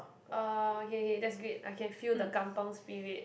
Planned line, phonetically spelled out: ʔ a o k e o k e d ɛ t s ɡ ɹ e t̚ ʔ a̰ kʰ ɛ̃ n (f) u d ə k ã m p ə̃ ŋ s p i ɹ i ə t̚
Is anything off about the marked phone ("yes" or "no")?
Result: no